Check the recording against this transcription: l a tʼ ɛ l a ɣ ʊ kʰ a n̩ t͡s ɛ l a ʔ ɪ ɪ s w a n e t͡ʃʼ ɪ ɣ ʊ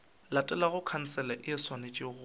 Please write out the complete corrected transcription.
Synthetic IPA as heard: l a tʼ ɛ l a ɣ ʊ kʰ a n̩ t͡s ɛ l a ʔ ɪ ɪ s w a n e t͡ʃʼ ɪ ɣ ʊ